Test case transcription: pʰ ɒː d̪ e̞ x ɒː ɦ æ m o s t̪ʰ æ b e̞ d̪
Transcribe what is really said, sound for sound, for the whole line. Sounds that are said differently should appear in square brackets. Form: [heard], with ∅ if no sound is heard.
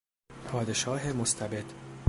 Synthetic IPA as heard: pʰ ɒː d̪ e̞ [ʃ] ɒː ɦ [e] m o s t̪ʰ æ b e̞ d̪